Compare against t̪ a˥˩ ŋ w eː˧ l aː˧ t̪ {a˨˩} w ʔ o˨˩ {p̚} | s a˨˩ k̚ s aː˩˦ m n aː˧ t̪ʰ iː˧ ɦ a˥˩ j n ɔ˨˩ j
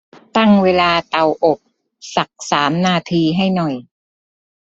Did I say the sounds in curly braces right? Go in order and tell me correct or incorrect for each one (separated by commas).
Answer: correct, correct